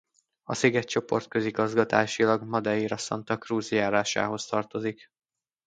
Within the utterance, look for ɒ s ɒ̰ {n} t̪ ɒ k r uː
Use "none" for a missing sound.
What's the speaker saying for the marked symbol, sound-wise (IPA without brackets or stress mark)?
n